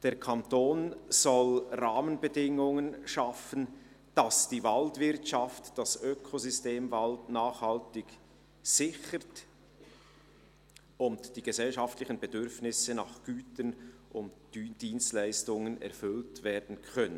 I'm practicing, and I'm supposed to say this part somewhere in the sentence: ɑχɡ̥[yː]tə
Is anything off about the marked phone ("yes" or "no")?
no